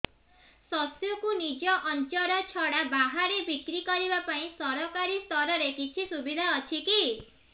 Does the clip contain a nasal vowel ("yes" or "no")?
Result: yes